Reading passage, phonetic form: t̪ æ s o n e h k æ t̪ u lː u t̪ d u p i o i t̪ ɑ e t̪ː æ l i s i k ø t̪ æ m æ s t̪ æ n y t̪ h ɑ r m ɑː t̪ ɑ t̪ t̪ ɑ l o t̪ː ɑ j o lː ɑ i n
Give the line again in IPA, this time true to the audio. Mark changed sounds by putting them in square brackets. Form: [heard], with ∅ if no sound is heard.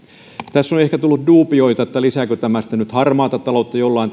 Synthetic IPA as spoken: t̪ æ [sː] o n e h k æ t̪ u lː u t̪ d [uː] p i o i t̪ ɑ e t̪ː æ l i s [æ] k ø t̪ æ m æ s t̪ æ n y t̪ h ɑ r m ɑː t̪ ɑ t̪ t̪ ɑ l o t̪ː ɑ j o lː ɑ i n

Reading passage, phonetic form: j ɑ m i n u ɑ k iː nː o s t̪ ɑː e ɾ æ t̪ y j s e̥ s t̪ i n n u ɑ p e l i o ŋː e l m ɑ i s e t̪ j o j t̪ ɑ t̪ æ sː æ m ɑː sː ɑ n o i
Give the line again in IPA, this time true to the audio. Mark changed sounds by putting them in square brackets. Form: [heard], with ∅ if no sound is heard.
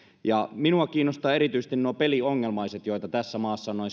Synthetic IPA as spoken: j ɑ m i n u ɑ k iː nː o s t̪ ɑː e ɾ [i] t̪ y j s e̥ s t̪ i n n u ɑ p e l i o ŋː e l m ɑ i s e t̪ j o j t̪ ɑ t̪ æ sː æ m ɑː sː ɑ n o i

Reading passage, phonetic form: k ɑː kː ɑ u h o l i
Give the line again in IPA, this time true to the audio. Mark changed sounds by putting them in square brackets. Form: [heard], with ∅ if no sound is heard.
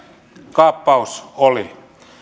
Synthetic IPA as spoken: k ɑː [pː] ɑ u [s] o l i

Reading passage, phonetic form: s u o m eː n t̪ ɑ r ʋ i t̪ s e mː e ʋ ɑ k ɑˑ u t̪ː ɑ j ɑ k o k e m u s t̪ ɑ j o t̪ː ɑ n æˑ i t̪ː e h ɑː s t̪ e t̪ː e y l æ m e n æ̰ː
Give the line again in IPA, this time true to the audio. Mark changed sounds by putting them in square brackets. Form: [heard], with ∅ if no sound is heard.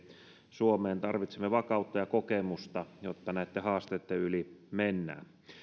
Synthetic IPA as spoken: s u o m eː n t̪ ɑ r ʋ i t̪ s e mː e ʋ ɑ k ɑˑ u t̪ː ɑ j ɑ k o k e m u s t̪ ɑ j o t̪ː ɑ n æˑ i t̪ː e h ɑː s t̪ e t̪ː e y l [i] m e [nː] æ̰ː

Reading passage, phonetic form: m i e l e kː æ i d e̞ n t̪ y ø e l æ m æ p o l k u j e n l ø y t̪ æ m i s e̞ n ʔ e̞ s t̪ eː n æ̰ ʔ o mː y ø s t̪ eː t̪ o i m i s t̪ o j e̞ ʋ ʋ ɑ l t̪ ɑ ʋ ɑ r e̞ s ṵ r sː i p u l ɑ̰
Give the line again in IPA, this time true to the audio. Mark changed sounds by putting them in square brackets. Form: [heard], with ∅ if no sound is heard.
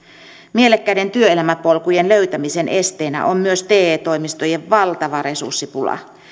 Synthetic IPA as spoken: m i e l e kː æ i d e̞ n t̪ y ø e l æ m æ p o l k u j e n l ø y t̪ æ m i s e̞ n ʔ e̞ s t̪ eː n æ̰ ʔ o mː y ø s t̪ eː t̪ o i m i s t̪ o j e̞ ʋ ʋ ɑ l t̪ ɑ ʋ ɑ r e̞ s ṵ r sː i p u l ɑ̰

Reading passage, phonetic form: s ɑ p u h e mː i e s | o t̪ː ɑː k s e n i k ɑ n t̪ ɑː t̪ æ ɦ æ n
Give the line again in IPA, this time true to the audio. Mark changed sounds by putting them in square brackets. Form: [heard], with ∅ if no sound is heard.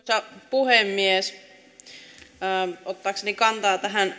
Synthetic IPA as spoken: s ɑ p u h e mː i e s | o t̪ː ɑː k s e n i k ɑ n t̪ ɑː t̪ æ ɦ æ n

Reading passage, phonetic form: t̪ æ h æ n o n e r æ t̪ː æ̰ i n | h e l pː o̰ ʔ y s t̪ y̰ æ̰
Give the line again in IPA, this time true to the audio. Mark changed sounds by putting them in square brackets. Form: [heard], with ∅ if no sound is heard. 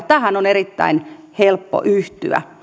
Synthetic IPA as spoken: t̪ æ h æ n o n e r [i] t̪ː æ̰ i n | h e l pː o̰ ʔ y [h] t̪ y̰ æ̰

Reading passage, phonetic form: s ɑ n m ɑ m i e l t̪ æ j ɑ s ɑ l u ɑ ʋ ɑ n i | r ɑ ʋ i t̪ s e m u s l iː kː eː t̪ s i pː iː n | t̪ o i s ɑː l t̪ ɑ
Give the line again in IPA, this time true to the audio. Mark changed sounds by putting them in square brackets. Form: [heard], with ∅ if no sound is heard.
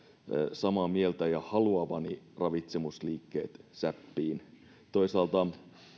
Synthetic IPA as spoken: s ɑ [∅] m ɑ m i e l t̪ æ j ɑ [h] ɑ l u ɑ ʋ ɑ n i | r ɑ ʋ i t̪ s e m u s l iː kː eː t̪ s [æ] pː iː n | t̪ o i s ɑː l t̪ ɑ

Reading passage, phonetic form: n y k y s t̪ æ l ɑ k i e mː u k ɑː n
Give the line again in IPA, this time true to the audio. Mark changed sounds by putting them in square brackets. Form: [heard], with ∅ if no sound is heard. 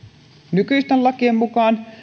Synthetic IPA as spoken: n y k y s t̪ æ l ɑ k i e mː u k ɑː n

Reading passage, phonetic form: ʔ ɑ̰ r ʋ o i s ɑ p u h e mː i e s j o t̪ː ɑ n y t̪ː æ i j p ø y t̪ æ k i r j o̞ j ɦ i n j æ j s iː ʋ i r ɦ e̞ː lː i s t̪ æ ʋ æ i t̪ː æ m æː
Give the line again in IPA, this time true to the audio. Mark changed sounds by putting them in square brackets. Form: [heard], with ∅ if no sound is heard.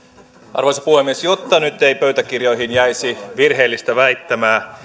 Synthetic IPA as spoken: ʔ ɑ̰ r ʋ o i s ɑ p u h e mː i e s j o t̪ː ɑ n y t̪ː [e] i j p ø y t̪ æ k i r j o̞ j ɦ i n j æ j s [i] ʋ i r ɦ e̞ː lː i s t̪ æ ʋ æ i t̪ː æ m æː

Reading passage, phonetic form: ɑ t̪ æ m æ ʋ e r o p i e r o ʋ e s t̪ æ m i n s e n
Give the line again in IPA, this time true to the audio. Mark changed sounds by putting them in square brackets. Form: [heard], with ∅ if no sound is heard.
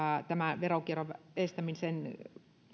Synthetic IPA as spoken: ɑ t̪ æ m æ ʋ e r o [k] i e r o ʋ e s t̪ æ m i n s e n

